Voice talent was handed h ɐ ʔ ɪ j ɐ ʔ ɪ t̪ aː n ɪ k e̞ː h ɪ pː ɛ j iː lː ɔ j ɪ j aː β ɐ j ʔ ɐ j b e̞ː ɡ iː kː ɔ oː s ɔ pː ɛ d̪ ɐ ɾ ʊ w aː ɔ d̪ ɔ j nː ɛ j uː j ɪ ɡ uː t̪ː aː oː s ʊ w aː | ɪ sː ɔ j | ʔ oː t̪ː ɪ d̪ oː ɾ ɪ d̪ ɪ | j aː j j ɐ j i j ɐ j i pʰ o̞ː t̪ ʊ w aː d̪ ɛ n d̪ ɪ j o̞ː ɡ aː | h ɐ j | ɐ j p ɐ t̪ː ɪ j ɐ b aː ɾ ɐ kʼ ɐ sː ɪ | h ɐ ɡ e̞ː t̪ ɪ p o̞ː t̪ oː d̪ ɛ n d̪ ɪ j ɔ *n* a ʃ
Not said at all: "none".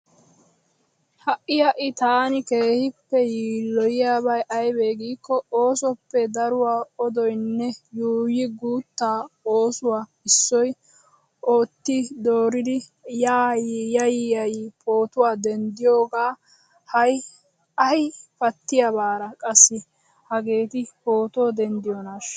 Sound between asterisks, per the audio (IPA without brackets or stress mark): n